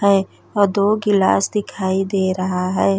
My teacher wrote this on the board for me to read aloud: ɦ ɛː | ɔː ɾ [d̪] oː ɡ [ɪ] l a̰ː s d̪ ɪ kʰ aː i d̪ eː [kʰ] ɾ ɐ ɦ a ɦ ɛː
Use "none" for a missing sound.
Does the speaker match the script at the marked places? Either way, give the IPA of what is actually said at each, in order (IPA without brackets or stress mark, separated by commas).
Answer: d̪, ɪ, none